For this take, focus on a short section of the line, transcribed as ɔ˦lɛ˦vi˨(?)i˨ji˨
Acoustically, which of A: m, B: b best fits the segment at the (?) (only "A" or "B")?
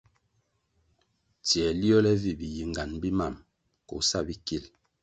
B